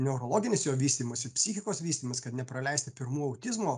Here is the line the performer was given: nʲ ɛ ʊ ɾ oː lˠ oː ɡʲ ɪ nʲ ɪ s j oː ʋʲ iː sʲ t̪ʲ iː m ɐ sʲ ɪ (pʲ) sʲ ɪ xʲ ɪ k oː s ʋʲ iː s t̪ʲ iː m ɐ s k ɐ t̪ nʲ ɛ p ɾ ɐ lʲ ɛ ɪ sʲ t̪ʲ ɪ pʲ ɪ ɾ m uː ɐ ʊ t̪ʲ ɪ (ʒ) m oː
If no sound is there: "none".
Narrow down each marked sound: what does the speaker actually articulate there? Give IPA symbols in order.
pʲ, z

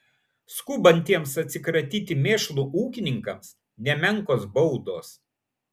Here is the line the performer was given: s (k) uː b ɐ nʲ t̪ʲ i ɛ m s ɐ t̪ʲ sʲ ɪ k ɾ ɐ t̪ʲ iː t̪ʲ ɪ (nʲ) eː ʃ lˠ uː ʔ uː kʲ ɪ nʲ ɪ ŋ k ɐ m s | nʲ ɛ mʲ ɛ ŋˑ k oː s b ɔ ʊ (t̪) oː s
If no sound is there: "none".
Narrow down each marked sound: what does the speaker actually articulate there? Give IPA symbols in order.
k, mʲ, d̪

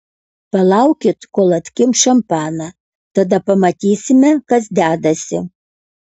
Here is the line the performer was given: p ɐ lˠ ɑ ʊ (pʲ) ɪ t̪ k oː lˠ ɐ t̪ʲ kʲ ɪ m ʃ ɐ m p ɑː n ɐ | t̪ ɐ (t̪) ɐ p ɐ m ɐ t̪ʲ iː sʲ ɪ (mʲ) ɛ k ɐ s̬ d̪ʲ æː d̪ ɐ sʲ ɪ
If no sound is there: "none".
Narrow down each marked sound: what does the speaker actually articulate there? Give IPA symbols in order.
kʲ, d̪, mʲ

